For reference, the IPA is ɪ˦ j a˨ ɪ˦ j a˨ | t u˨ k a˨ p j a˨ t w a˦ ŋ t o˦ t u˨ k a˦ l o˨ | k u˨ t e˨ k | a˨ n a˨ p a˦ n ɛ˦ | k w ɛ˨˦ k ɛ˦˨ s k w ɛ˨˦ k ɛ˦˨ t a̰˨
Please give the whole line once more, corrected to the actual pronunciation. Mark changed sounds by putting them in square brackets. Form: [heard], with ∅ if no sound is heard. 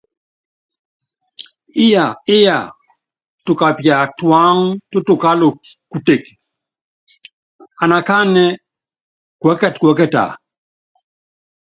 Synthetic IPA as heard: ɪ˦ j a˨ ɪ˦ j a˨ | t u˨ k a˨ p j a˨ t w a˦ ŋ t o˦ t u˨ k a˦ l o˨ | k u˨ t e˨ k | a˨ n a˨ [k] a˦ n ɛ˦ | k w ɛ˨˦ k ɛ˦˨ [t] k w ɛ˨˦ k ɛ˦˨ t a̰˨